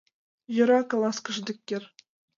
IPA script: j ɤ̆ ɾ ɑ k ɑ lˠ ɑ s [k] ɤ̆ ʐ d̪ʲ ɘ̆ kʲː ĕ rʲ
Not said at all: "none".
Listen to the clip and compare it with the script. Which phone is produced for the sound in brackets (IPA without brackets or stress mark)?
k